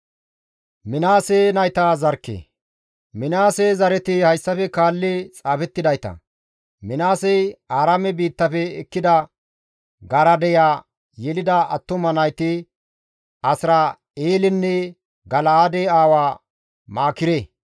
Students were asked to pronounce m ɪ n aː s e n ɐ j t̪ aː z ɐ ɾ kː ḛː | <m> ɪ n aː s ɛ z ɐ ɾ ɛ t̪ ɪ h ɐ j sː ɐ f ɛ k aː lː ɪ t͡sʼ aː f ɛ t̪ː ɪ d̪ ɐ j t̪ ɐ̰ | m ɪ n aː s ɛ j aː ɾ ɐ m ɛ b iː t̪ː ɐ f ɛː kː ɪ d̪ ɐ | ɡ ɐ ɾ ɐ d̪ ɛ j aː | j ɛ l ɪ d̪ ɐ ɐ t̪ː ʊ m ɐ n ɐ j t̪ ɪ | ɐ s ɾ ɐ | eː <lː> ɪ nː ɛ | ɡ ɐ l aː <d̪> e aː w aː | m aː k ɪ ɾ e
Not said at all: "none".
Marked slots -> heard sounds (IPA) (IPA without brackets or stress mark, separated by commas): m, l, d̪